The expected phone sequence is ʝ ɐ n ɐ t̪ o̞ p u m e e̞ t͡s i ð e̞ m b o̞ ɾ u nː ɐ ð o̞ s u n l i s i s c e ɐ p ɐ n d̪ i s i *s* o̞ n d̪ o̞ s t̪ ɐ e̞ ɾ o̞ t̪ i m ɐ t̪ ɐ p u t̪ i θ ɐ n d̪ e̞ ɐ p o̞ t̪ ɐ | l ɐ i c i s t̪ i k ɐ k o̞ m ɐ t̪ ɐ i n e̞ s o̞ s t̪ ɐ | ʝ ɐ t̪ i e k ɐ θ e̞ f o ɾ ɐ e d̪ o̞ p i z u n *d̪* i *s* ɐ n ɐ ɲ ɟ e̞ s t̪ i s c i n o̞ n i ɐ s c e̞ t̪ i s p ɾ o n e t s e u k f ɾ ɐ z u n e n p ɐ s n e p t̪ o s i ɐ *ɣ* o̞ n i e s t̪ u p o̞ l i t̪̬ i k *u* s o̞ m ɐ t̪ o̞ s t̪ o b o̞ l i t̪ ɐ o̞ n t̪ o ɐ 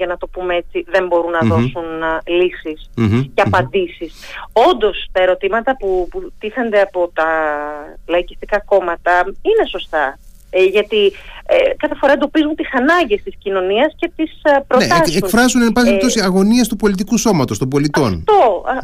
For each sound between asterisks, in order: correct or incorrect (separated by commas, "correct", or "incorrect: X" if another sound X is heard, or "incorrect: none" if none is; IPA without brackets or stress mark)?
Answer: correct, incorrect: t̪, correct, correct, correct